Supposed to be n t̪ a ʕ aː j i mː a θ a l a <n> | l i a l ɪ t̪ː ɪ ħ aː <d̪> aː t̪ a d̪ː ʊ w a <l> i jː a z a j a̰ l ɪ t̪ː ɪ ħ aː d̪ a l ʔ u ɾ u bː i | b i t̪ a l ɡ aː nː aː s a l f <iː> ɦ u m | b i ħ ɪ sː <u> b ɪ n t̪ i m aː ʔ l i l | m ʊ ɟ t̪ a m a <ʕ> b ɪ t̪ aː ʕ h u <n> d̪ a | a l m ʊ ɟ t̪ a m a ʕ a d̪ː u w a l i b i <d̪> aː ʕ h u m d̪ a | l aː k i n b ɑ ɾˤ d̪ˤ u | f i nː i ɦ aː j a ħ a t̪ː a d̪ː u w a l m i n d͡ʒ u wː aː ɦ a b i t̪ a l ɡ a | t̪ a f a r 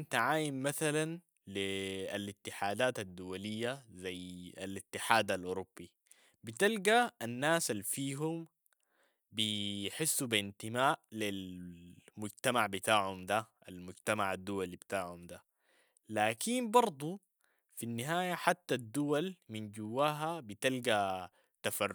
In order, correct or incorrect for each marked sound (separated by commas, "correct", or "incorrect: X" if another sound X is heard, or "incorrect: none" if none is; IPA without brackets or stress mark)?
correct, correct, correct, correct, correct, correct, incorrect: m, incorrect: t̪